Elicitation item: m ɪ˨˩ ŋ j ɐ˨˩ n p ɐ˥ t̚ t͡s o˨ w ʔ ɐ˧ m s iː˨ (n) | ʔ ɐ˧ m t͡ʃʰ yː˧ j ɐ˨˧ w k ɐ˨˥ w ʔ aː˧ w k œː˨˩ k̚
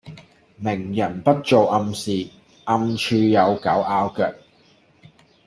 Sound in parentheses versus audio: incorrect: none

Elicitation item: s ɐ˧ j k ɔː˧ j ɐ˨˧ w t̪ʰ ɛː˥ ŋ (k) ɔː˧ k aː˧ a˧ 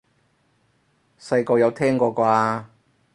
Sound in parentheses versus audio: correct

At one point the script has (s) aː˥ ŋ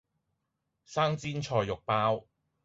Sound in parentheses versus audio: correct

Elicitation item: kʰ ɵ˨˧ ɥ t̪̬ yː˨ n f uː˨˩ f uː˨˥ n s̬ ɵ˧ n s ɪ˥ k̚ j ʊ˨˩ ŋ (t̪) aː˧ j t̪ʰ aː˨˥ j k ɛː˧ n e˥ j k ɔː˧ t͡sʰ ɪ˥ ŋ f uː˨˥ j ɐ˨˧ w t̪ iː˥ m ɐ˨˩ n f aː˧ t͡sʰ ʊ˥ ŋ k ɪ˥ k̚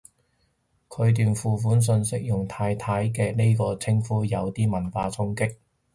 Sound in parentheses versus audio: incorrect: t̪ʰ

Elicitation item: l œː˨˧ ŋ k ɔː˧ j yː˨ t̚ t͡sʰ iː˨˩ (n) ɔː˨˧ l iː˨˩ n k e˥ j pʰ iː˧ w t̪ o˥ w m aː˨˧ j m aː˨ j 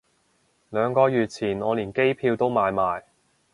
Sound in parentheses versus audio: correct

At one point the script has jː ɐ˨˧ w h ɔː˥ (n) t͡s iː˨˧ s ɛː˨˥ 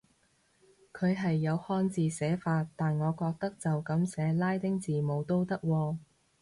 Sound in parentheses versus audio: correct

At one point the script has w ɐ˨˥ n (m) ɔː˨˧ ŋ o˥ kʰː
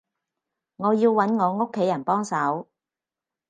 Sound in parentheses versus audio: incorrect: ŋ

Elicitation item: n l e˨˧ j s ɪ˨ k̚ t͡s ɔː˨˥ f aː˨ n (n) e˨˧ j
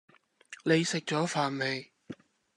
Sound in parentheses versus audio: incorrect: m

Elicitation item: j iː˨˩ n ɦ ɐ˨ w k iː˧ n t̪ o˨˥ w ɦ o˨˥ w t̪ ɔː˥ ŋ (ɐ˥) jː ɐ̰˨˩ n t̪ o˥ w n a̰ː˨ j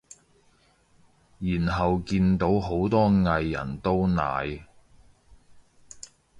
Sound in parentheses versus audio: incorrect: ɐ˧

